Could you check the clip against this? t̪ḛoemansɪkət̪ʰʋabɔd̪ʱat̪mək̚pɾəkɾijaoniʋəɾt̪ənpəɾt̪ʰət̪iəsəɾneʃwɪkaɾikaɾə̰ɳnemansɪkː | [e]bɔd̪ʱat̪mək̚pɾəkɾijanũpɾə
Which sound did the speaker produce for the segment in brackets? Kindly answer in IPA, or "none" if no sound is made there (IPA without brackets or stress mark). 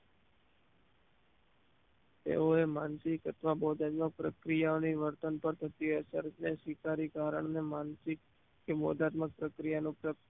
e